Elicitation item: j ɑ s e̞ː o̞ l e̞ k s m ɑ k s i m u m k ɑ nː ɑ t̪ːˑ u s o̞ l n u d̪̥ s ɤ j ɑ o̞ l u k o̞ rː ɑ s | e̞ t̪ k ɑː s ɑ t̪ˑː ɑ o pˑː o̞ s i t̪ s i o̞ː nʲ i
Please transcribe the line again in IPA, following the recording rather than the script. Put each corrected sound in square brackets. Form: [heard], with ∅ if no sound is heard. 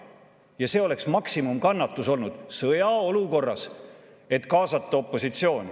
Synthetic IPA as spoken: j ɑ s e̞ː o̞ l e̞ k s m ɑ k s i m u m k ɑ nː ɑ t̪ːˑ u s o̞ l n u d̪̥ s ɤ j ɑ o̞ l u k o̞ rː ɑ s | e̞ t̪ k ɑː s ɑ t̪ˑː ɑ o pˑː o̞ s i t̪ s i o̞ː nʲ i